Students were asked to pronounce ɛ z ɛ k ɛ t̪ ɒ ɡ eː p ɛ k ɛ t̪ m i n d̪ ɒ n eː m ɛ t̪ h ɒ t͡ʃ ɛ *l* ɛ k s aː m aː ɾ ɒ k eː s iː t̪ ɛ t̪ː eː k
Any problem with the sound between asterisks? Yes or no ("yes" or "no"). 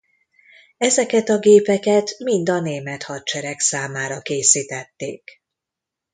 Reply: yes